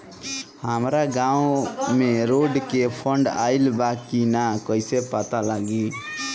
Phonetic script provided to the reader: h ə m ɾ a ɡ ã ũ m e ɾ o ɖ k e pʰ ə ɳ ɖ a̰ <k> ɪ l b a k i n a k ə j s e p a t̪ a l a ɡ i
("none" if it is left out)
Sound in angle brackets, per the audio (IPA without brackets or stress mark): none